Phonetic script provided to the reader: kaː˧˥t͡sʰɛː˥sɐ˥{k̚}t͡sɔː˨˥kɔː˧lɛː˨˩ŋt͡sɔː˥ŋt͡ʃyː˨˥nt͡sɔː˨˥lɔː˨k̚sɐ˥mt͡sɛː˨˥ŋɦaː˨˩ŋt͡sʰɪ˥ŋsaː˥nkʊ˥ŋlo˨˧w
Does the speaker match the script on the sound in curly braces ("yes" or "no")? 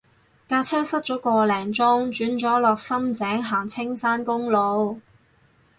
no